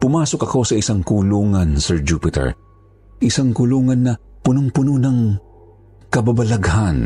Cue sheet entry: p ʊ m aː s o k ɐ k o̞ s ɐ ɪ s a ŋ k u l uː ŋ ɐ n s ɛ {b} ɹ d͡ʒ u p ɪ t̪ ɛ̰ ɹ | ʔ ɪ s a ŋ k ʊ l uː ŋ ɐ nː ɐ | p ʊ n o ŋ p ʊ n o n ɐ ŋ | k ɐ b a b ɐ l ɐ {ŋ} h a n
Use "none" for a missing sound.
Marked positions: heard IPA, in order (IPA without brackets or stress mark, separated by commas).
none, ɡ